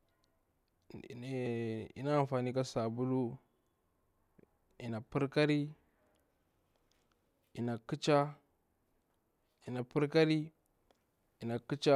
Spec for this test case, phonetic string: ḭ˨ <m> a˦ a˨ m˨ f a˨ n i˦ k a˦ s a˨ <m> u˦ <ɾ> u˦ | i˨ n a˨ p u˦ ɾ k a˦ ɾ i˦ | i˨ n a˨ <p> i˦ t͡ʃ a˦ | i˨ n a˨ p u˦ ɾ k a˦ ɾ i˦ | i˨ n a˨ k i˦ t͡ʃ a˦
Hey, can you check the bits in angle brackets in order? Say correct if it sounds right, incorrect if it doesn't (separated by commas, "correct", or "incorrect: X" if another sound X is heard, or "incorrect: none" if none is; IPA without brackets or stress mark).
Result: incorrect: n, incorrect: b, incorrect: l, incorrect: k